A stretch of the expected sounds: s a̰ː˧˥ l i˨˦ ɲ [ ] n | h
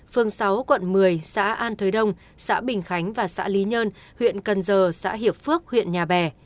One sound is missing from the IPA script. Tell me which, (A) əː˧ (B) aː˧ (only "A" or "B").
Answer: A